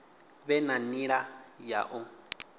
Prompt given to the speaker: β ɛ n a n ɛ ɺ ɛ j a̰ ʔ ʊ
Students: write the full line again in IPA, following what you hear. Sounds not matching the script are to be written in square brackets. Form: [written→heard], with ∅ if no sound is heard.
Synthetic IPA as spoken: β ɛ n a n [ɛ→i] ɺ [ɛ→a] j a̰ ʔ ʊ